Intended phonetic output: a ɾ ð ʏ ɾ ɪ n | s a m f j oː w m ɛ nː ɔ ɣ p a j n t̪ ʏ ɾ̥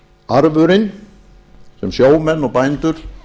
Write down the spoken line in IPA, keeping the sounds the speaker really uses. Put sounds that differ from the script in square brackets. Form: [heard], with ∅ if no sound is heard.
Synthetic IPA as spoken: a ɾ [v] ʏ ɾ ɪ n | s [ɛ] m [s] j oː w m ɛ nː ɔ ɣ p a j n t̪ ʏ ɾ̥